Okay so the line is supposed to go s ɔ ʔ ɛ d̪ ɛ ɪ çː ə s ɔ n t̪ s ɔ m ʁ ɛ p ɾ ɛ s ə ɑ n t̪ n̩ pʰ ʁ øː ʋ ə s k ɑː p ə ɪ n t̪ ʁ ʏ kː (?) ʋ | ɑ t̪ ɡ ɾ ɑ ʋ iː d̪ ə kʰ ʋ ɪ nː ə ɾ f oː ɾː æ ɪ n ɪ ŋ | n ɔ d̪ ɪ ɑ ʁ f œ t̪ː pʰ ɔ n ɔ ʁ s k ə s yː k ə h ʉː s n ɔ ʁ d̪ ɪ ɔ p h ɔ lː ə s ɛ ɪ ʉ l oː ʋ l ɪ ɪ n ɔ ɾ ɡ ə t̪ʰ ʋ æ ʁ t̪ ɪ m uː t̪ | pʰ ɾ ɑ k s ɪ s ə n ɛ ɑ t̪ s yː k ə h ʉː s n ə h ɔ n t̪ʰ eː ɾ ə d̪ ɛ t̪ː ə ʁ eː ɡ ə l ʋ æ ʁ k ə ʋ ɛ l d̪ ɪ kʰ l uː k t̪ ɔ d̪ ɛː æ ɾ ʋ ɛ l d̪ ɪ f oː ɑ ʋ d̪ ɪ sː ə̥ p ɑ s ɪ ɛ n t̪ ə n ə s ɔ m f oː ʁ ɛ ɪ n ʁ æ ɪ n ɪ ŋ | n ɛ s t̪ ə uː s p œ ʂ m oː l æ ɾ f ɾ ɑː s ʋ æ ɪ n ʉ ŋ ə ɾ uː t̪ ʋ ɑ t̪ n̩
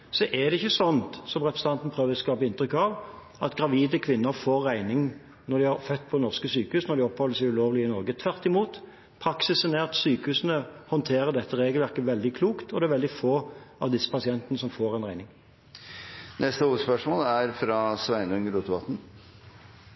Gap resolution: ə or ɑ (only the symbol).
ɑ